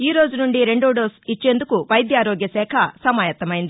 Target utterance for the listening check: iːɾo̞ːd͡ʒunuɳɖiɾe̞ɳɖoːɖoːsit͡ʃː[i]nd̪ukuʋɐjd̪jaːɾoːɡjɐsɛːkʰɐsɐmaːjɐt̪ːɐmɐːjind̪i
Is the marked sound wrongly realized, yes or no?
yes